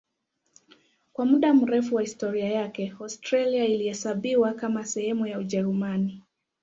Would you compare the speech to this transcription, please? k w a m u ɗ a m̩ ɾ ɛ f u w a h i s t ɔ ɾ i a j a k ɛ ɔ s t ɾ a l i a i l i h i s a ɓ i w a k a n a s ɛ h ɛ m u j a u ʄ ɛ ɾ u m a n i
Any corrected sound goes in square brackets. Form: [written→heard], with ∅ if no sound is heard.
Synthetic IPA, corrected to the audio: k w a m u ɗ a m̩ ɾ ɛ f u w a h i s t ɔ ɾ i a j a k ɛ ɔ s t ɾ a l i a i l i h [i→ɛ] s a ɓ i w a k a [n→m] a s ɛ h ɛ m u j a u ʄ ɛ ɾ u m a n i